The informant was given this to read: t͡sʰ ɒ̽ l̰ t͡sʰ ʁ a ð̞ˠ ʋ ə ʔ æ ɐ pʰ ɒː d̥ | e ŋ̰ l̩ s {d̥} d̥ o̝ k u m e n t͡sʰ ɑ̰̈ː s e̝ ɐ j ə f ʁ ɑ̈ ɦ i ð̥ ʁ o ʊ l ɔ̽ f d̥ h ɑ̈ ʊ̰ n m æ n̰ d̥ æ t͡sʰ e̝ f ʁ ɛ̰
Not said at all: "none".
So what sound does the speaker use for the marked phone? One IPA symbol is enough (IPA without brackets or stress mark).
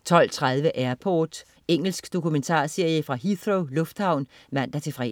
ɡ̥